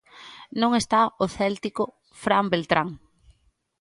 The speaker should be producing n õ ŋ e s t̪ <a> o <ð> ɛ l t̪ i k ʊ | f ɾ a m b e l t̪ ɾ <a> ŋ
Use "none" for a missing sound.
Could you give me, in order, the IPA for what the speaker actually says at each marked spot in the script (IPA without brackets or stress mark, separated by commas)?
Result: a, θ, a